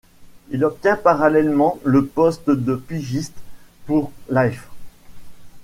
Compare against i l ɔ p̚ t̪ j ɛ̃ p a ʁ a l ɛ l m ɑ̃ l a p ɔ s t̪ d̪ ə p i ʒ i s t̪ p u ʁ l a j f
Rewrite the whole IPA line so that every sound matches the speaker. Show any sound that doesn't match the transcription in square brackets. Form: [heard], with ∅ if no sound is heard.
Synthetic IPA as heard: i l ɔ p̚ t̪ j ɛ̃ p a ʁ a l ɛ l m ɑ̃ l [ə] p ɔ s t̪ d̪ ə p i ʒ i s t̪ p u ʁ l a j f